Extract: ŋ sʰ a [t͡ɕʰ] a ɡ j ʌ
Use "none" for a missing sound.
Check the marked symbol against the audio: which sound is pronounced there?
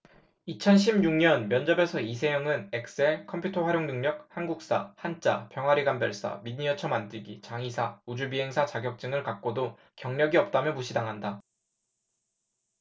t͡ɕ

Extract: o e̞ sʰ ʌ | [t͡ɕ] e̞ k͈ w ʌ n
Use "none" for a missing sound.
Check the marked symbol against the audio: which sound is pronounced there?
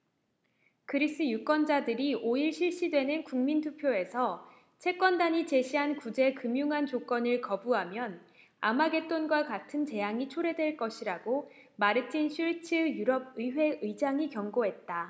t͡ɕʰ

